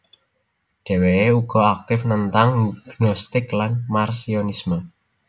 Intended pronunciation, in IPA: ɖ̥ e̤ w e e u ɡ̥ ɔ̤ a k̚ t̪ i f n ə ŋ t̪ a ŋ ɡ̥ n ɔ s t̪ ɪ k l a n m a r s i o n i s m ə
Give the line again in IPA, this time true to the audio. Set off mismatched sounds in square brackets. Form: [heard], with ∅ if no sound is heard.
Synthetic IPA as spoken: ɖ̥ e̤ w e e u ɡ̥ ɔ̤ a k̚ t̪ [ɪ] f n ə [n] t̪ a ŋ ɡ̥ n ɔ s t̪ ɪ k l a n m a r s i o n i s m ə